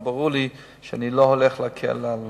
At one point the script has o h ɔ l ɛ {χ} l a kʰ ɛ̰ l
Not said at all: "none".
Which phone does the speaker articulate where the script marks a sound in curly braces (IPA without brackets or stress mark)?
χ